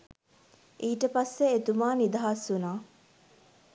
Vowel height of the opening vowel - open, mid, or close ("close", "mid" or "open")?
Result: close